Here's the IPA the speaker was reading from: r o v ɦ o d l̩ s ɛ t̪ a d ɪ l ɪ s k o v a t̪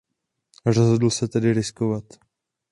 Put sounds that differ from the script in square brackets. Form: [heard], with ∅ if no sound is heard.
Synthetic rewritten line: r o [z] ɦ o d l̩ s ɛ t̪ [ɛ] d ɪ [ɾ] ɪ s k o v a t̪